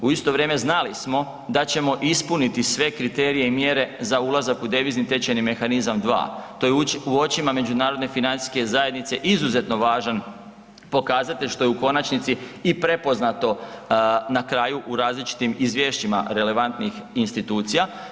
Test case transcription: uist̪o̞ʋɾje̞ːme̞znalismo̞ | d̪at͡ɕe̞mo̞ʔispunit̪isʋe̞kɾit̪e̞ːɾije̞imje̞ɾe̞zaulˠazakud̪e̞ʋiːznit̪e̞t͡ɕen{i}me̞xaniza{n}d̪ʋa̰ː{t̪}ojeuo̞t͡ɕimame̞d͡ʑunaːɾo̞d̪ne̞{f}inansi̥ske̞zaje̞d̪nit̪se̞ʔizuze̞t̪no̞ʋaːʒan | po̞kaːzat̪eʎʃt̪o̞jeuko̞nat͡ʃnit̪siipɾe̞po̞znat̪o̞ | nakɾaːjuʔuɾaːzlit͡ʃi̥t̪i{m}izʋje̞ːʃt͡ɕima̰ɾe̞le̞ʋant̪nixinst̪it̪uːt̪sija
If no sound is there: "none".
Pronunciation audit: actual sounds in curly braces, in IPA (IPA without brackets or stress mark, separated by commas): i, m, t̪, f, m